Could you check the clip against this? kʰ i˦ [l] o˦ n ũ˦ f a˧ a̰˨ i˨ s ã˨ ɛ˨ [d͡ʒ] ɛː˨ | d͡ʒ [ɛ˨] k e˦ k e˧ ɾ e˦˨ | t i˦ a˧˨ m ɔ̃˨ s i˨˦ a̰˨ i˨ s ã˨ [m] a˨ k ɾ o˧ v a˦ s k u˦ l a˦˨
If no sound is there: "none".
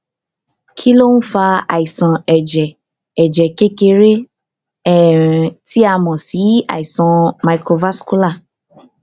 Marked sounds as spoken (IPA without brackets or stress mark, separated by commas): l, d͡ʒ, ɛ˨, m